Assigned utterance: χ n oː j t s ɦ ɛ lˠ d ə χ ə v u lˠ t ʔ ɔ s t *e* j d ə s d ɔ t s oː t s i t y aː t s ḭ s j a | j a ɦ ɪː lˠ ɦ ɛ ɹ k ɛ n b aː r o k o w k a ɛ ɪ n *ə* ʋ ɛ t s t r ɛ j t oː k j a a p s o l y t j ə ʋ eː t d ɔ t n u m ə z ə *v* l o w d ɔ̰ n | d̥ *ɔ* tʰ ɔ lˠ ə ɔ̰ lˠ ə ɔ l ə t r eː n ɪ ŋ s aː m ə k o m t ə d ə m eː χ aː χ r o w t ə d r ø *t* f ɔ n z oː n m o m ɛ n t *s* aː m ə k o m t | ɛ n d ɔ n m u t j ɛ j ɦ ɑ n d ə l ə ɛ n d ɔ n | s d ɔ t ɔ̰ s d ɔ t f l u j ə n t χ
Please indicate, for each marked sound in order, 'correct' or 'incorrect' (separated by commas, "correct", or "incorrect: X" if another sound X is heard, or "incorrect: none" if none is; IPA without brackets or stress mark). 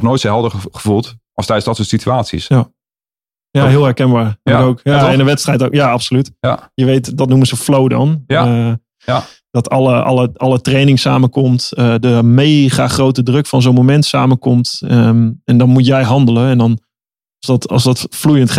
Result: incorrect: ɛ, correct, incorrect: f, correct, incorrect: k, correct